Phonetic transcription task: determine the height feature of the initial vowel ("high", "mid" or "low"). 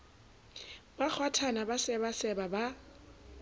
low